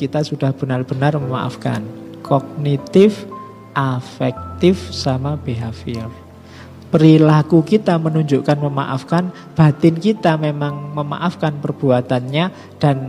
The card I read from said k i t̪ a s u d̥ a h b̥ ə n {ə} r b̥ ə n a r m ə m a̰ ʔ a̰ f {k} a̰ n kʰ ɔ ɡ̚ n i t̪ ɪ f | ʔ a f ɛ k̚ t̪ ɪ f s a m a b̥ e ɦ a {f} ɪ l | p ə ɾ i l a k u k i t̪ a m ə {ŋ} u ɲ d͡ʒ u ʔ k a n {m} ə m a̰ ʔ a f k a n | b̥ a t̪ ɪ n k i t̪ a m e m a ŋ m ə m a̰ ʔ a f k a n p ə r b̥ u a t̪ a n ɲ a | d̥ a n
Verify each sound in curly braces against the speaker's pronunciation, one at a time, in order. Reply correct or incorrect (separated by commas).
incorrect, correct, correct, incorrect, correct